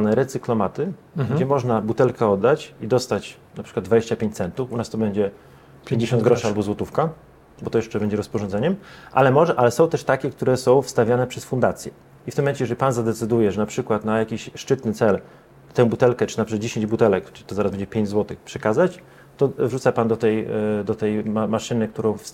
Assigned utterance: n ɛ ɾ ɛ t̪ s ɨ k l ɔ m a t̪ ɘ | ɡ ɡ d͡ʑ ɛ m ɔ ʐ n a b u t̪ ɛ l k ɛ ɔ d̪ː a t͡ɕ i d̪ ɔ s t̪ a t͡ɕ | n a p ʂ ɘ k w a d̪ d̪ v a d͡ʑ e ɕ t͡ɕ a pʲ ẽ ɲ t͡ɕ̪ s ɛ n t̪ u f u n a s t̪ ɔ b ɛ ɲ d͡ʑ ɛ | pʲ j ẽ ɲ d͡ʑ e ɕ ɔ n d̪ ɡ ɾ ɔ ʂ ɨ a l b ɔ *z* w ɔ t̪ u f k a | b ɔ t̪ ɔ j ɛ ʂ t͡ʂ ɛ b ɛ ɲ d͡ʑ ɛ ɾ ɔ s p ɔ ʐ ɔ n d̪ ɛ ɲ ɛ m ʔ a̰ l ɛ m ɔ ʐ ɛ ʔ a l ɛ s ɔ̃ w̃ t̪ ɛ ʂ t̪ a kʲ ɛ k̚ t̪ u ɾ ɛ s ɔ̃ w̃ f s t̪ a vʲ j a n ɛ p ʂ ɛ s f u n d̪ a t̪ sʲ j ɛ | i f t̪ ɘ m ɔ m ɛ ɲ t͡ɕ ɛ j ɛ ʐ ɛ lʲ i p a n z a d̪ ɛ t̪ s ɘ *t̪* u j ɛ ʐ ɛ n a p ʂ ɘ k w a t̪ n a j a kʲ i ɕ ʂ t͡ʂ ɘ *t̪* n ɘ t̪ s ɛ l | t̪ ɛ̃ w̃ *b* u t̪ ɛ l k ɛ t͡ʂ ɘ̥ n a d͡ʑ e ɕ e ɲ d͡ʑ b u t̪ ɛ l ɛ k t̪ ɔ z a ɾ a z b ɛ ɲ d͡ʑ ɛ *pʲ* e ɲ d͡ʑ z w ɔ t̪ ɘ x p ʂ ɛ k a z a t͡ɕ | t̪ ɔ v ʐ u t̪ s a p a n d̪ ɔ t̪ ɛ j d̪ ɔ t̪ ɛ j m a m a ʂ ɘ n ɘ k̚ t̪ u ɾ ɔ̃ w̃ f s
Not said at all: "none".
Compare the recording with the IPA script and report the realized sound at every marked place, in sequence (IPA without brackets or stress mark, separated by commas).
z, d̪, t̪, b, pʲ